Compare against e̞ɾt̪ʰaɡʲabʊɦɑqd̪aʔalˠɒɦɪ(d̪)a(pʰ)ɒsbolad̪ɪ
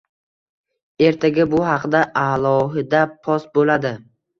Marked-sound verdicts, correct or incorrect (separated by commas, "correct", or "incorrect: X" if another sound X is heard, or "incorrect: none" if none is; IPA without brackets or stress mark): correct, correct